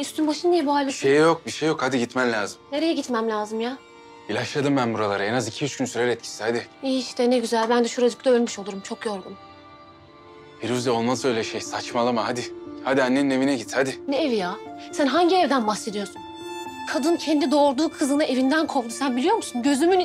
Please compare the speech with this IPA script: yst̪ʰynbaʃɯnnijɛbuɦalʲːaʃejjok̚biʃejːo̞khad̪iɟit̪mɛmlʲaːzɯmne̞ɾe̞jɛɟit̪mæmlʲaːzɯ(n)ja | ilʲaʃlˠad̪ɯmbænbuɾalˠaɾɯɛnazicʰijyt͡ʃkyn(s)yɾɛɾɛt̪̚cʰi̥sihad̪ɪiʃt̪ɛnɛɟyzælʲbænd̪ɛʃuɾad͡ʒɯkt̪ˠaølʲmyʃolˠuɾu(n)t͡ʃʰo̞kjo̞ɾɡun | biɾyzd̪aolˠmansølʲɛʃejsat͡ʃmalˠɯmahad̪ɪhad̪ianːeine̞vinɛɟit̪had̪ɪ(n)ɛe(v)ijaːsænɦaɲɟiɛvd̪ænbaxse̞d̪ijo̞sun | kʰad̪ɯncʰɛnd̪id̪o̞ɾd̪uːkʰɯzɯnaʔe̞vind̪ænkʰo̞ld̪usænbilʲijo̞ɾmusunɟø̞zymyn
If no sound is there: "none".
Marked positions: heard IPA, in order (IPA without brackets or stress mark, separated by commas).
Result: m, s, m, n, v